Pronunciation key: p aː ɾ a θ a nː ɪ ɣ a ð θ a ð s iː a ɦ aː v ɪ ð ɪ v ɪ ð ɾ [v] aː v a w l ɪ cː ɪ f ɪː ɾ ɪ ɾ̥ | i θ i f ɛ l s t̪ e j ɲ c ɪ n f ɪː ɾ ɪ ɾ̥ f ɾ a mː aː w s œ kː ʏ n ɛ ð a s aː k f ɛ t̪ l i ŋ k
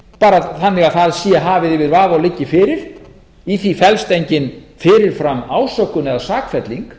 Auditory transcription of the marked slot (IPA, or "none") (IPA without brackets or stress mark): v